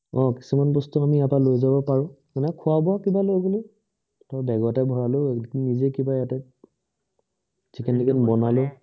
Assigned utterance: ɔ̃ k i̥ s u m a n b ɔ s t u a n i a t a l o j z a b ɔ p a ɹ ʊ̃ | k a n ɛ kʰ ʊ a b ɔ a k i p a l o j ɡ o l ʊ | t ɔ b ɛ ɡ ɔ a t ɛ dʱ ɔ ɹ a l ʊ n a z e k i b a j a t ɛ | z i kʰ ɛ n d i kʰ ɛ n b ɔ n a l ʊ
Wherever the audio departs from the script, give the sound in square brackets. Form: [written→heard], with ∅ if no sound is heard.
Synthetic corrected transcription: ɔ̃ k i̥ s u m a n b ɔ s t u a [n→m] i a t a l o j z a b ɔ p a ɹ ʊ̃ | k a n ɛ kʰ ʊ a b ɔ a k i [p→b] a l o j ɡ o l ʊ | t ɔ b ɛ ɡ ɔ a t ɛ [dʱ→bʱ] ɔ ɹ a l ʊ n [a→i] z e k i b a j a t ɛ | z i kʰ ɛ n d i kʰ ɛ n b ɔ n a l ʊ

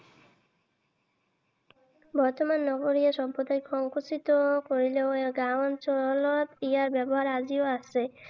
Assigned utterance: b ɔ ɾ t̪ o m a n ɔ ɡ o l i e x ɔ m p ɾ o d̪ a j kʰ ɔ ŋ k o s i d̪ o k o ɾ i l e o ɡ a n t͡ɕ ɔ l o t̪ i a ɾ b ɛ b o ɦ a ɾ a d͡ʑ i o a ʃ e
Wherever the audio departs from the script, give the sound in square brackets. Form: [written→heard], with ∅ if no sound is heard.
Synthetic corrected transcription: b ɔ ɾ t̪ o m a [n→nː] ɔ ɡ o [l→ɾ] i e [x→ʃ] ɔ m p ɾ o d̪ a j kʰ ɔ ŋ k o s i [d̪→t̪] o k o ɾ i l e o ɡ a n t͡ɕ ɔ l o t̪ i a ɾ b ɛ b o ɦ a ɾ a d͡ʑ i o a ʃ e

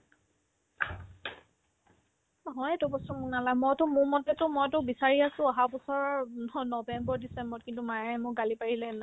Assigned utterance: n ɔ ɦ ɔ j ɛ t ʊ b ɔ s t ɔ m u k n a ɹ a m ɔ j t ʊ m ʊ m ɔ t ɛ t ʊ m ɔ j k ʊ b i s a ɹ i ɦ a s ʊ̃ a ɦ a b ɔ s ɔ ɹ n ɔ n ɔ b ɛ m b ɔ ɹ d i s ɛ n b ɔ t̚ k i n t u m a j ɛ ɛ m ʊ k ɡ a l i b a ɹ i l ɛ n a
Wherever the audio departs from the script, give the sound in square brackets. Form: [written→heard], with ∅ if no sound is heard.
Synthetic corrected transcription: n ɔ ɦ ɔ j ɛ t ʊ b ɔ s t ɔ m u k n a [ɹ→l] a m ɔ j t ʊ m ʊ m ɔ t ɛ t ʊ m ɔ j [k→t] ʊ b i s a ɹ i [ɦ→∅] a s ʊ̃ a ɦ a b ɔ s ɔ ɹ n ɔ n ɔ b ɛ m b ɔ ɹ d i s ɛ [n→m] b ɔ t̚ k i n t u m a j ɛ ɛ m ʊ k ɡ a l i [b→p] a ɹ i l ɛ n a

